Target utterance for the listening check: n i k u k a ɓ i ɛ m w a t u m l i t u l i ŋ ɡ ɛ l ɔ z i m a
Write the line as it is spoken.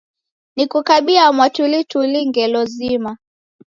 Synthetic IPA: n i k u k a ɓ i a m w a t u l i t u l i ŋ ɡ ɛ l ɔ z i m a